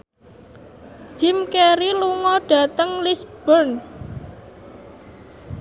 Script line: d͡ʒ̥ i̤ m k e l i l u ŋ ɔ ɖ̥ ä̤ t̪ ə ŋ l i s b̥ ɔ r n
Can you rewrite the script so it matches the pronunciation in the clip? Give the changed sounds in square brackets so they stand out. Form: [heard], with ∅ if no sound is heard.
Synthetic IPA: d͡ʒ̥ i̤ m k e [ɾ] i l u ŋ ɔ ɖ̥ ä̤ t̪ ə ŋ l i s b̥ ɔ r n